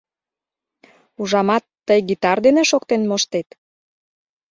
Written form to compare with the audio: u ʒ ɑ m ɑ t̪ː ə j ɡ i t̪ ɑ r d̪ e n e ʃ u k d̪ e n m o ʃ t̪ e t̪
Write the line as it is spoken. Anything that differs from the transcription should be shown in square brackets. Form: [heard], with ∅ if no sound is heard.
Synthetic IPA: u ʒ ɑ m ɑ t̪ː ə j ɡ i t̪ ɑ r d̪ e n e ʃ [o] k [t̪] e n m o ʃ t̪ e t̪